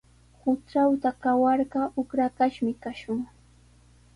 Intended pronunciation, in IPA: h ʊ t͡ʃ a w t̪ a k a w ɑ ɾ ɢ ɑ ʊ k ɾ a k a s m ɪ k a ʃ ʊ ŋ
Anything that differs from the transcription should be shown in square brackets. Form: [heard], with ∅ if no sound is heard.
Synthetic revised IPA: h ʊ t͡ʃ a w t̪ a k a w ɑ ɾ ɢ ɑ ʊ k ɾ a k a [ʃ] m ɪ k a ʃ ʊ ŋ